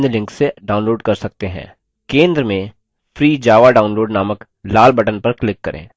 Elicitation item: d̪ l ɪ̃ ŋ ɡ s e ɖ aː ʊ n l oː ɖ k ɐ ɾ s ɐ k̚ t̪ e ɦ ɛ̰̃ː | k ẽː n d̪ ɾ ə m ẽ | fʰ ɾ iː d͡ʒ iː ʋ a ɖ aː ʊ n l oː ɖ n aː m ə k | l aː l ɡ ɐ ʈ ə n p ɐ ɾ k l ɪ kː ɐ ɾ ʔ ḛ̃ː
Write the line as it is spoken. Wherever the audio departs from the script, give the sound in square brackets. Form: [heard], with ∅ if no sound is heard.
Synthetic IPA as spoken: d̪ l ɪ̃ ŋ [k] s e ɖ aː ʊ n l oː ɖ k ɐ ɾ s ɐ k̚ t̪ e ɦ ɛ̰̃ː | k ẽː n d̪ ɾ ə m ẽ | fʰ ɾ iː d͡ʒ [aː] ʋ a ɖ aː ʊ n l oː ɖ n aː m ə k | l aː l [b] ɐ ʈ ə n p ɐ ɾ k l ɪ kː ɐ ɾ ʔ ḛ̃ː